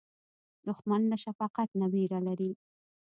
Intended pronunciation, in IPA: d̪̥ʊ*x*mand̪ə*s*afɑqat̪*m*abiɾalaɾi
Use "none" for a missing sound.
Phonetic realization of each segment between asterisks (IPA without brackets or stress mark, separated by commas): x, ʃ, n